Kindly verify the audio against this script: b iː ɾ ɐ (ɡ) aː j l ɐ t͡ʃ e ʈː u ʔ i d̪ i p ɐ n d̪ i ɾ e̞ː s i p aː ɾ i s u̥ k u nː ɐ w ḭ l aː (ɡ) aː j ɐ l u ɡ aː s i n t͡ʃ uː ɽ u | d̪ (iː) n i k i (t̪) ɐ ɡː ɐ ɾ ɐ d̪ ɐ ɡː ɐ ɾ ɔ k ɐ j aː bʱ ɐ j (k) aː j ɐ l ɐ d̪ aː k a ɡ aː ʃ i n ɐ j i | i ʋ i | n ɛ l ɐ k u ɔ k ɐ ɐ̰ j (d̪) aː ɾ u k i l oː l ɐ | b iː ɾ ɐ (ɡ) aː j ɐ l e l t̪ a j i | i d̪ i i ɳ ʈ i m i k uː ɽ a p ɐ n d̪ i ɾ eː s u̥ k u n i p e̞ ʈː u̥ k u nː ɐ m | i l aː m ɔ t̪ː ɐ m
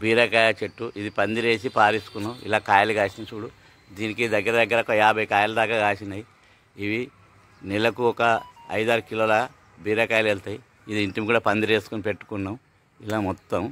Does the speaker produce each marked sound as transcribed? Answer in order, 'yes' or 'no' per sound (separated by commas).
no, no, yes, no, yes, yes, no